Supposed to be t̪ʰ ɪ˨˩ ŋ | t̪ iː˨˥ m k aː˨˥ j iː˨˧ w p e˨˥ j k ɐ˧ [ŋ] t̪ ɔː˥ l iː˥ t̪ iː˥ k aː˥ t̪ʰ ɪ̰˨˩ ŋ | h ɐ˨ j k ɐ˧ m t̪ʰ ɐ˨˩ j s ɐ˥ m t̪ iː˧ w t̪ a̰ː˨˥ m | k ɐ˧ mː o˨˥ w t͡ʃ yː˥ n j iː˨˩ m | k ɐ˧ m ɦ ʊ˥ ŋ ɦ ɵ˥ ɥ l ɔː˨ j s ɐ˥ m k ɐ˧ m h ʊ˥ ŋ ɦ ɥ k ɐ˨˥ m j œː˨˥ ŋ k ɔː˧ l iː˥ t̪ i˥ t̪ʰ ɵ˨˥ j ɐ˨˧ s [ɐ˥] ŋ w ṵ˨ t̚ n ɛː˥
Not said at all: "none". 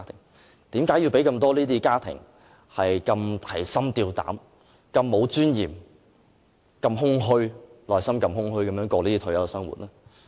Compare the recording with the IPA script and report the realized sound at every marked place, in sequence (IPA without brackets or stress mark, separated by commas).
m, ɐ˥